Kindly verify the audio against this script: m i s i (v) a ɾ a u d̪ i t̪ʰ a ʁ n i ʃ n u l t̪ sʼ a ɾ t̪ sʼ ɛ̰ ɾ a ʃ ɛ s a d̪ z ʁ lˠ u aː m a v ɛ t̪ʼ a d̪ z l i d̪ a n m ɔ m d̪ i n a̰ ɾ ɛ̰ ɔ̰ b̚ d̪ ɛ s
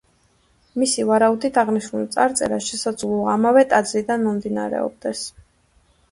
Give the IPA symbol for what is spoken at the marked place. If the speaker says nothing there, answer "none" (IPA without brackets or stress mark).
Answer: v